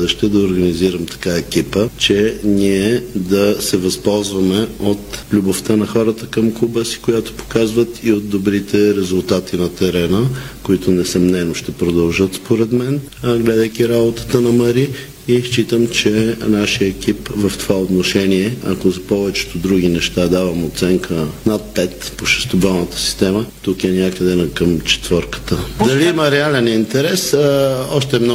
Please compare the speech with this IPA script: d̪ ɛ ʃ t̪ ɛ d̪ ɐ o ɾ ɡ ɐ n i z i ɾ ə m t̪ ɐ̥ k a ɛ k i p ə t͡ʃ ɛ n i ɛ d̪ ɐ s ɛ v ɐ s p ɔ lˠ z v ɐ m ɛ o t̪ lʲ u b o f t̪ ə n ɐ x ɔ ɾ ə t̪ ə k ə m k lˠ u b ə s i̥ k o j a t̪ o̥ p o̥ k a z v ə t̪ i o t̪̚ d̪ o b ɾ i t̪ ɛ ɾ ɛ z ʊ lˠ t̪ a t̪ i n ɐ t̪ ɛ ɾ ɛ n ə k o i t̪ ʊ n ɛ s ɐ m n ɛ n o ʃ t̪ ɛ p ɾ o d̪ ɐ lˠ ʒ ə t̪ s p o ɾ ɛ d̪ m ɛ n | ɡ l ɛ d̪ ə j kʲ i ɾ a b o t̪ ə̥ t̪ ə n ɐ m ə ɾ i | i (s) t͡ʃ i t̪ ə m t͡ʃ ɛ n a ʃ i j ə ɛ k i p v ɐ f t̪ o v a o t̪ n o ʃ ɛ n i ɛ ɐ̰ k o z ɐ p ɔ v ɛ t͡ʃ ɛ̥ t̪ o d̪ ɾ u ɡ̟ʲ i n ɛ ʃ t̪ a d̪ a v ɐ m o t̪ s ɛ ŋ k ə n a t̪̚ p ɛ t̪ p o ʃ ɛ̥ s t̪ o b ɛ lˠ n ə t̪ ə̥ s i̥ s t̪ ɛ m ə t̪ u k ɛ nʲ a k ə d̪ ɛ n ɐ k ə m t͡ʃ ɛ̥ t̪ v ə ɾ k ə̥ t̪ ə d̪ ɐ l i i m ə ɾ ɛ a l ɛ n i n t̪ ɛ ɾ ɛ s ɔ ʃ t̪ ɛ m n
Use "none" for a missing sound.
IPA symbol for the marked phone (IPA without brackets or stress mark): ʃ